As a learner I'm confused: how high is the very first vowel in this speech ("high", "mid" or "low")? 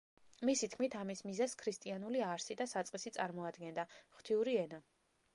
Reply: high